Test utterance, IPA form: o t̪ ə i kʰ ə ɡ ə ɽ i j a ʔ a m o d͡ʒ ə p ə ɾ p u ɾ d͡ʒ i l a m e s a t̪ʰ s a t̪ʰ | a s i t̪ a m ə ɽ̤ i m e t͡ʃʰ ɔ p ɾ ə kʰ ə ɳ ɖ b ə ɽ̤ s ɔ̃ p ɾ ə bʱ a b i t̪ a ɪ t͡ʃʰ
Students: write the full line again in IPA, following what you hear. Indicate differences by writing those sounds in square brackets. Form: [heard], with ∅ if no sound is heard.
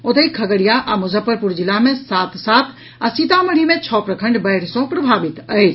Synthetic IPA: o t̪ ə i kʰ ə ɡ ə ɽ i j a ʔ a m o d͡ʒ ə p ə ɾ p u ɾ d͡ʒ i l a m e s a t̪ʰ s a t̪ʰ | a s i t̪ a m ə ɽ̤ i m e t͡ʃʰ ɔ p ɾ ə kʰ ə ɳ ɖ b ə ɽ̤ s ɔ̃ p ɾ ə bʱ a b i t̪ [ə] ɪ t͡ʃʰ